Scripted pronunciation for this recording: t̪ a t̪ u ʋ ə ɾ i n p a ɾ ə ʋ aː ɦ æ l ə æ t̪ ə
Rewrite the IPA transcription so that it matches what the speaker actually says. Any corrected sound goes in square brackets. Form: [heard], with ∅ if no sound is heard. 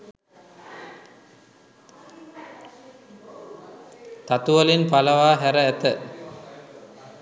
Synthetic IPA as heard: t̪ a t̪ u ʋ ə [l] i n p a [l] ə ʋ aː ɦ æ [ɾ] ə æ t̪ ə